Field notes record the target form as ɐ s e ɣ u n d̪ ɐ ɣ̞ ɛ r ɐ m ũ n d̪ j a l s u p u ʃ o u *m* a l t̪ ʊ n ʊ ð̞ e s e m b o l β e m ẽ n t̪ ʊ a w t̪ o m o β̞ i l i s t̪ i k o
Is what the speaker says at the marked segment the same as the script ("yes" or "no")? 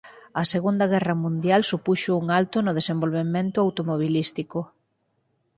no